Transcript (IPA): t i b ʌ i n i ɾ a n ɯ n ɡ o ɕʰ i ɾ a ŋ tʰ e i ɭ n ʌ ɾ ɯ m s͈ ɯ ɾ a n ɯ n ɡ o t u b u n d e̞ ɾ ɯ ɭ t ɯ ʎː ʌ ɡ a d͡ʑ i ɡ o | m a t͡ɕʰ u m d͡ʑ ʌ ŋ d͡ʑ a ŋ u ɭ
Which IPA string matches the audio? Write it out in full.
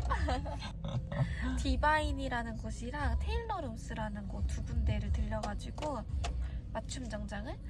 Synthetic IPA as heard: t i b a i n i ɾ a n ɯ n ɡ o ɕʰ i ɾ a ŋ tʰ e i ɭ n ʌ ɾ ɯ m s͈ ɯ ɾ a n ɯ n ɡ o t u b u n d e̞ ɾ ɯ ɭ t ɯ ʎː ʌ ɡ a d͡ʑ i ɡ o | m a t͡ɕʰ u m d͡ʑ ʌ ŋ d͡ʑ a ŋ ɯ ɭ